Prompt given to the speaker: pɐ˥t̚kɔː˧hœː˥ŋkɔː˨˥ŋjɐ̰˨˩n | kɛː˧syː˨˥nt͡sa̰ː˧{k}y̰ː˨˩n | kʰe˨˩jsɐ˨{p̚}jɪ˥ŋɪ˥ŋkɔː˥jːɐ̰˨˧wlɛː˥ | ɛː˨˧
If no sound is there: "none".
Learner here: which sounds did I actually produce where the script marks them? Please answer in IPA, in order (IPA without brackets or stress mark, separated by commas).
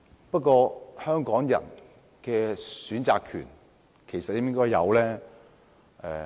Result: kʰ, t̚